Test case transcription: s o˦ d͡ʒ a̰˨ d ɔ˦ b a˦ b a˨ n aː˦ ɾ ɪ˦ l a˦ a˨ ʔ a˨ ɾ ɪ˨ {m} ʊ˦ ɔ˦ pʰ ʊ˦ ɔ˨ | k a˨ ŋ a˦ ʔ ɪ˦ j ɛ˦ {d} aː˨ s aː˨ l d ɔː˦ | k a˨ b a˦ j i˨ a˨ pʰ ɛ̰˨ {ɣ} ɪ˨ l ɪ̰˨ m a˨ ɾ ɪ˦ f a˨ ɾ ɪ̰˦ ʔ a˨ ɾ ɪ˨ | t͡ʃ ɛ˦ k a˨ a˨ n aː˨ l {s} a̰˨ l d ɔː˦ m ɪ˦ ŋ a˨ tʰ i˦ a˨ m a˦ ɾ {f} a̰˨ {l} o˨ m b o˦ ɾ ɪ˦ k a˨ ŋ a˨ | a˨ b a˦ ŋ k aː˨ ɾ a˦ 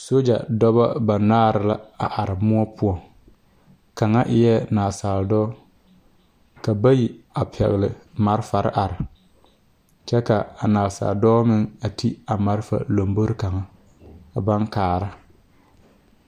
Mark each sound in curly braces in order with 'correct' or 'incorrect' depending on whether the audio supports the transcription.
correct, incorrect, correct, correct, correct, correct

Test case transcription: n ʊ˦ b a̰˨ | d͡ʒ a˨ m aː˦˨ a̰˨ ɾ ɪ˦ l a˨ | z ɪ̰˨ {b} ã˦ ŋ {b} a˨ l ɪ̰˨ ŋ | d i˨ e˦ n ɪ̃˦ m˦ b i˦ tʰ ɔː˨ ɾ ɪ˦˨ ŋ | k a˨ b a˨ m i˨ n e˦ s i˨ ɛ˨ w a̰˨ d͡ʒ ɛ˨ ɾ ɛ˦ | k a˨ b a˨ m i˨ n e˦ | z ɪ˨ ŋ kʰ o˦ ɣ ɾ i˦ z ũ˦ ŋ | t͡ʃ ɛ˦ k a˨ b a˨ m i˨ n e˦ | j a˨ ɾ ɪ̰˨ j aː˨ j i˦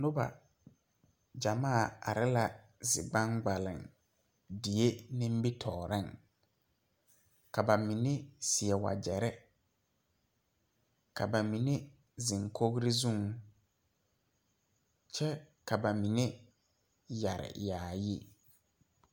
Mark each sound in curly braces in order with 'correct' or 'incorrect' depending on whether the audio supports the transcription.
incorrect, incorrect

